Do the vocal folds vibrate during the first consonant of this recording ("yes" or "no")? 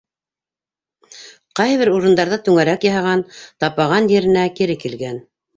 no